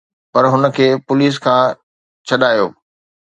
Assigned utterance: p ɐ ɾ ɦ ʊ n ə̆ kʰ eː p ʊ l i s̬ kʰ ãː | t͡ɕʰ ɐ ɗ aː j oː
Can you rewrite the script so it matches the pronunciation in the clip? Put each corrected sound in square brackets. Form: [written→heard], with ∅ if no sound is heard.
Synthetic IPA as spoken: p ɐ ɾ ɦ ʊ n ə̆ kʰ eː p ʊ l [i→iː] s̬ kʰ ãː | t͡ɕʰ ɐ ɗ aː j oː